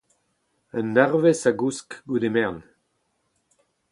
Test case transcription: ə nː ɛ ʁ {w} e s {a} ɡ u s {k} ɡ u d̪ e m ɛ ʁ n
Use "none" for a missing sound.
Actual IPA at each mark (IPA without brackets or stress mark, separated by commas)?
v, a, k